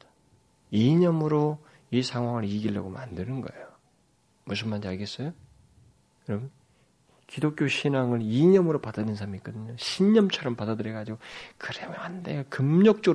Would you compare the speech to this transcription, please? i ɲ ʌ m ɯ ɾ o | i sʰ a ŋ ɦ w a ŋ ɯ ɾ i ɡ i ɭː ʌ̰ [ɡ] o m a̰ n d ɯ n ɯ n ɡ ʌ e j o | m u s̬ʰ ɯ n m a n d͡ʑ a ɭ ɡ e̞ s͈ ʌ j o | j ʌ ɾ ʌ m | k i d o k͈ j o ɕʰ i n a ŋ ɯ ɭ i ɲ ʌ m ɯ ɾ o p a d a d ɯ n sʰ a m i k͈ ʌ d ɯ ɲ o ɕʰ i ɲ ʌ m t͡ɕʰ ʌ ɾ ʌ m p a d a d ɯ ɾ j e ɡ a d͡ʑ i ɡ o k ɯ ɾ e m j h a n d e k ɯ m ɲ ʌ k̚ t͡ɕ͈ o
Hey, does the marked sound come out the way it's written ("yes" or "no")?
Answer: yes